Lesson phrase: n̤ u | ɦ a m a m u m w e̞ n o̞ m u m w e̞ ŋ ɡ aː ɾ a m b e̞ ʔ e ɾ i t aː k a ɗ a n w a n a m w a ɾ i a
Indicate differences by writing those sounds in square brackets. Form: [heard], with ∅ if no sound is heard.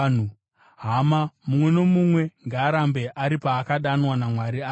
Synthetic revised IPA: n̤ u | ɦ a m a m u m w e̞ n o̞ m u m w e̞ ŋ ɡ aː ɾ a m b e̞ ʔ [a] ɾ i [p] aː k a ɗ a n w a n a m w a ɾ i a